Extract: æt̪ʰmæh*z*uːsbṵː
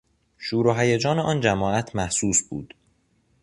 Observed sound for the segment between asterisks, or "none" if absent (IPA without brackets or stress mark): s